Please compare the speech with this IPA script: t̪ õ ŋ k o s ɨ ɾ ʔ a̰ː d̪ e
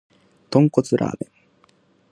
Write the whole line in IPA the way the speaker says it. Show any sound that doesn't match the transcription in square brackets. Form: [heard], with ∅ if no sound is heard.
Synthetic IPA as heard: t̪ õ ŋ k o [t͡s] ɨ ɾ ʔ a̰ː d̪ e